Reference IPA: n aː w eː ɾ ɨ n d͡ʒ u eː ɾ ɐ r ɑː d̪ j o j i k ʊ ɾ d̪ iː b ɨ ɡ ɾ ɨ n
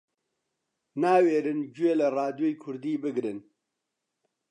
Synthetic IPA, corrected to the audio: n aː w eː ɾ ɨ n d͡ʒ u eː l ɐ r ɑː d̪ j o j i kʰ ʊ ɾ d̪ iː b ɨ ɡ ɾ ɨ n